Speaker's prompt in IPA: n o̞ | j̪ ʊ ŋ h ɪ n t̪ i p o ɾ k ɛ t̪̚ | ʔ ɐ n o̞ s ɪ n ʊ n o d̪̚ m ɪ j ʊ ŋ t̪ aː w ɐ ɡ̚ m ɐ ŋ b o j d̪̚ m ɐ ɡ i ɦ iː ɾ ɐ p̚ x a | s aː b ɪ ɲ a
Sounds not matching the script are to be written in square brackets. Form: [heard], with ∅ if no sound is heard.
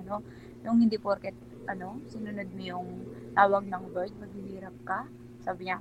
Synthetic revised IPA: n o̞ | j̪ ʊ ŋ h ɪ n [d̪] i p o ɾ k ɛ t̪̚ | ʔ ɐ n o̞ s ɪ n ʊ n o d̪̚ m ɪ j ʊ ŋ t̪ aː w ɐ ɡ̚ [n] ɐ ŋ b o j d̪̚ m ɐ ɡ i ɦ iː ɾ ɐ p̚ [k] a | s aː b ɪ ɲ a